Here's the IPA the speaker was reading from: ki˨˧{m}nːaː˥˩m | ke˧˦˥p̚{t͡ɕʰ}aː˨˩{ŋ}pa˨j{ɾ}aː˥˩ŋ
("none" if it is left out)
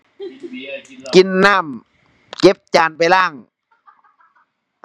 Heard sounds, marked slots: none, t͡ɕ, n, l

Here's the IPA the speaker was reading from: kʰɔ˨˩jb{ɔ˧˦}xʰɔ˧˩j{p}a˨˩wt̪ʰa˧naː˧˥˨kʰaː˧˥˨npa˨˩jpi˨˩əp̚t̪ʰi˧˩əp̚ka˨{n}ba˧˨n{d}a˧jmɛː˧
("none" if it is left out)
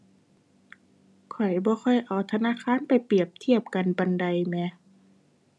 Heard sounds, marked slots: ɔː˧˦, ʔ, n, d

